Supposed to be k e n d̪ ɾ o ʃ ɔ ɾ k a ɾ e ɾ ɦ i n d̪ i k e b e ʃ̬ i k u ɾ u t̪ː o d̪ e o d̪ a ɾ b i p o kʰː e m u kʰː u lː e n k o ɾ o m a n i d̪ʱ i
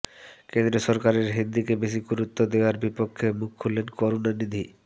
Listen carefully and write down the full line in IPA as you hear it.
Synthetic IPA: k e n d̪ ɾ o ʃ ɔ ɾ k a ɾ e ɾ ɦ i n d̪ i k e b e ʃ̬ i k u ɾ u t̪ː o d̪ e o a ɾ b i p o kʰː e m u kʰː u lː e n k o ɾ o n a n i d̪ʱ i

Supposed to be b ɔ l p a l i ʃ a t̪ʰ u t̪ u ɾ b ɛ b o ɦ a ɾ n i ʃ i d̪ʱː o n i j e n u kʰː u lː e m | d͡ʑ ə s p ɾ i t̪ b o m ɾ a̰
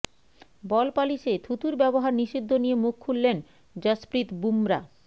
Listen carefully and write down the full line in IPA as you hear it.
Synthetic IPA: b ɔ l p a l i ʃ e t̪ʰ u t̪ u ɾ b ɛ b o ɦ a ɾ n i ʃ i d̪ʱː o n i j e m u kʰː u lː e n | d͡ʑ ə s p ɾ i t̪ b u m ɾ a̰

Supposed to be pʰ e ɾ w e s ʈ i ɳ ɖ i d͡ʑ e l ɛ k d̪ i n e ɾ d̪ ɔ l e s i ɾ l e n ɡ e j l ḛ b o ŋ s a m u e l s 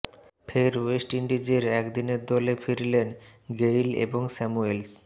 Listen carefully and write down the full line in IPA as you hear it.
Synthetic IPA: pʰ e ɾ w e s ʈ i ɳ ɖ i d͡ʑ e ɾ ɛ k d̪ i n e ɾ d̪ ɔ l e f i ɾ l e n ɡ e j l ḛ b o ŋ s ɛ m u e l s

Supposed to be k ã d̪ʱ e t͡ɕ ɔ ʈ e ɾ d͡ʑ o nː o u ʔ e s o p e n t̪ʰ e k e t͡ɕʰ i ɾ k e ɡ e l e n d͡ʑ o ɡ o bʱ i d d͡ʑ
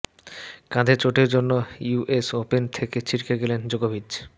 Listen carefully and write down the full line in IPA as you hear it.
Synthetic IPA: k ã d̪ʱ e t͡ɕ o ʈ e ɾ d͡ʑ o nː o u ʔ e s o p e n t̪ʰ e k e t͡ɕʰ i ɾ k e ɡ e l e n d͡ʑ o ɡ o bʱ i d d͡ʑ

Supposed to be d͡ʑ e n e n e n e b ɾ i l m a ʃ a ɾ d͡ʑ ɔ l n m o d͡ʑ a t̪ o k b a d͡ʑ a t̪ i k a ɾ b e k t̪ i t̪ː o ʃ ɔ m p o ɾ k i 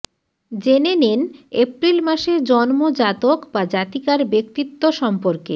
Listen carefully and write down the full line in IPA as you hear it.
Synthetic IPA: d͡ʑ e n e n e n e p ɾ i l m a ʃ e ɾ d͡ʑ ɔ n m o d͡ʑ a t̪ o k b a d͡ʑ a t̪ i k a ɾ b e k t̪ i t̪ː o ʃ ɔ m p o ɾ k e

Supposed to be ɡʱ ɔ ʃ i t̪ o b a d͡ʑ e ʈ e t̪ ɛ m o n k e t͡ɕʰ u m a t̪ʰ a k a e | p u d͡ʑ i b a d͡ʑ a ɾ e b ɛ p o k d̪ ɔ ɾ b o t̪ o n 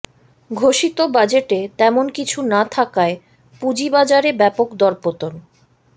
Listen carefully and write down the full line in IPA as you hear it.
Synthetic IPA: ɡʱ o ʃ i t̪ o b a d͡ʑ e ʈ e t̪ ɛ m o n k i t͡ɕʰ u n a t̪ʰ a k a e | p u d͡ʑ i b a d͡ʑ a ɾ e b ɛ p o k d̪ ɔ ɾ p o t̪ o n

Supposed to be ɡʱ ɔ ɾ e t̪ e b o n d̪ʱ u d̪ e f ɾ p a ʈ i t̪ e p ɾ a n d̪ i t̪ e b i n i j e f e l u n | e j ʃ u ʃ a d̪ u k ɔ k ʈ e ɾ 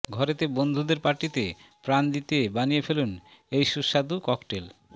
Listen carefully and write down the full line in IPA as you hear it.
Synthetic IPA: ɡʱ ɔ ɾ e t̪ e b o n d̪ʱ u d̪ e ɾ p a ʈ i t̪ e p ɾ a n d̪ i t̪ e b a n i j e f e l u n | e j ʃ u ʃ a d̪ u k ɔ k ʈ e l

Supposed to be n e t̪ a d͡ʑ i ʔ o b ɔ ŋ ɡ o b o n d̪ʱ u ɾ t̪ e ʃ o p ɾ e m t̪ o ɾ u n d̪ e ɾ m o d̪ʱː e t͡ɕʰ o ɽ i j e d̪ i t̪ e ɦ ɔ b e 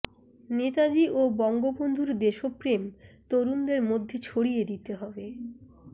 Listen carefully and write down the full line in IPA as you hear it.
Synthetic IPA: n e t̪ a d͡ʑ i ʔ o b ɔ ŋ ɡ o b o n d̪ʱ u ɾ d̪ e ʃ o p ɾ e m t̪ o ɾ u n d̪ e ɾ m o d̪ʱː e t͡ɕʰ o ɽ i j e d̪ i t̪ e ɦ ɔ b e

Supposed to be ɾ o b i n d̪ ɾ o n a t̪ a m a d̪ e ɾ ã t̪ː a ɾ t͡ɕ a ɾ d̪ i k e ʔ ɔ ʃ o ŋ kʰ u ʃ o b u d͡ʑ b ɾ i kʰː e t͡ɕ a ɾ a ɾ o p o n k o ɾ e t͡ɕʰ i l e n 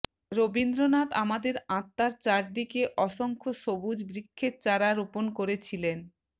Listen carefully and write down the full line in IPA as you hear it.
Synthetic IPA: ɾ o b i n d̪ ɾ o n a t̪ a m a d̪ e ɾ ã t̪ː a ɾ t͡ɕ a ɾ d̪ i k e ʔ ɔ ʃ o ŋ kʰ o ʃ o b u d͡ʑ b ɾ i kʰː e t͡ɕ a ɾ a ɾ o p o n k o ɾ e t͡ɕʰ i l e n

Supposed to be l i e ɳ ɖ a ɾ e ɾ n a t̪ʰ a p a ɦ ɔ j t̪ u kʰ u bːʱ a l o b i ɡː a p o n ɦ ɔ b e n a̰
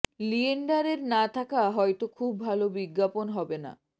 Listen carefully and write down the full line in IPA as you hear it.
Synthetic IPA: l i e ɳ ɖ a ɾ e ɾ n a t̪ʰ a k a ɦ ɔ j t̪ o kʰ u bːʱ a l o b i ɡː a p o n ɦ ɔ b e n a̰

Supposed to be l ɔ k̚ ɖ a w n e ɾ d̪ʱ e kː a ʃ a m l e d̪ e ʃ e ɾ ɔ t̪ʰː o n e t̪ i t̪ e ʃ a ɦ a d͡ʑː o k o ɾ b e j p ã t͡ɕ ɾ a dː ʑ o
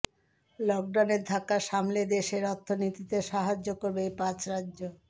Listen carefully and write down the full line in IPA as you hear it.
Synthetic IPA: l ɔ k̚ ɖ a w n e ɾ d̪ʱ a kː a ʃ a m l e d̪ e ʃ e ɾ ɔ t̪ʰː o n i t̪ i t̪ e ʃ a ɦ a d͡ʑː o k o ɾ b e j p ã t͡ɕ ɾ a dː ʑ o

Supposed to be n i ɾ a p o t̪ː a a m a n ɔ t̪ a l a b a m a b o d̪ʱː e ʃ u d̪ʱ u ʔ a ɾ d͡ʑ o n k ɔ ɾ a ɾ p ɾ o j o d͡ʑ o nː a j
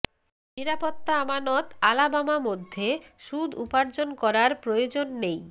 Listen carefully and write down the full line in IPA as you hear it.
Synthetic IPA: n i ɾ a p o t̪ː a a m a n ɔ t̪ a l a b a m a m o d̪ʱː e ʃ u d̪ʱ u p a ɾ d͡ʑ o n k ɔ ɾ a ɾ p ɾ o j o d͡ʑ o nː e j

